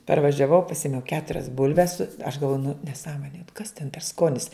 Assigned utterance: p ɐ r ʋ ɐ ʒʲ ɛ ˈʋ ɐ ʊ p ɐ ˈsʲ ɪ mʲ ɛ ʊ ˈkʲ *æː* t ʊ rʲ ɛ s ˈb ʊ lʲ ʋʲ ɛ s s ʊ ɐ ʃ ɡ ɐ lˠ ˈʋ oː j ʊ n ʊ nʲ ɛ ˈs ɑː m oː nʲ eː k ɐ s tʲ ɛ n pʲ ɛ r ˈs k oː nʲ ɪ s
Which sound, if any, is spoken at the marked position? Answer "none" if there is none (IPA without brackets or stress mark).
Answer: æː